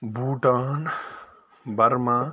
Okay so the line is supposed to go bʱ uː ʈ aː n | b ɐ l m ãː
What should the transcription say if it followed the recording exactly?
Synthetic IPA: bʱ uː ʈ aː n | b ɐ ɾ m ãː